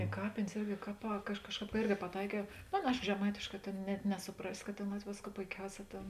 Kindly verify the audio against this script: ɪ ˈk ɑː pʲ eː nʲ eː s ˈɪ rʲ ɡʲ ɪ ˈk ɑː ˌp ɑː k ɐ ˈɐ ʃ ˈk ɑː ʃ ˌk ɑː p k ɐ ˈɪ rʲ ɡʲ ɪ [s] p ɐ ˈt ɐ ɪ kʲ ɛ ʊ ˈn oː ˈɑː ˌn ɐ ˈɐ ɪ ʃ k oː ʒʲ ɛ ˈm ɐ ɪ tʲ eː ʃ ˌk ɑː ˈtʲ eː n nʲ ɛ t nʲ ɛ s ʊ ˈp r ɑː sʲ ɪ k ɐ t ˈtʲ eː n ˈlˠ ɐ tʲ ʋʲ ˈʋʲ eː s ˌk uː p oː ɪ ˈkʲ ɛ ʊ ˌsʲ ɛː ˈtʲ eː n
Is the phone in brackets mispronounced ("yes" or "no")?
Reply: yes